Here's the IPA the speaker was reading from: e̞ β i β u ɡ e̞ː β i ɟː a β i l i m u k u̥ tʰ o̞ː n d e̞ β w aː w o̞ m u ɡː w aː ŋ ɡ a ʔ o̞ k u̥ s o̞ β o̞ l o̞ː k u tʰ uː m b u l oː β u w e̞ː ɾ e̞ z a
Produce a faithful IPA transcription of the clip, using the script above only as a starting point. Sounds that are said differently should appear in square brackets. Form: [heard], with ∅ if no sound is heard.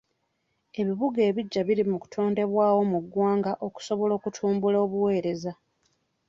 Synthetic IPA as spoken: e̞ β i β u ɡ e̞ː β i ɟː a β i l i m u k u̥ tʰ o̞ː n d e̞ β w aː w o̞ m u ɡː w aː ŋ ɡ a ʔ o̞ k u̥ s o̞ β o̞ l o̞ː k u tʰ uː m b u l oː β u w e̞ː ɾ e̞ z a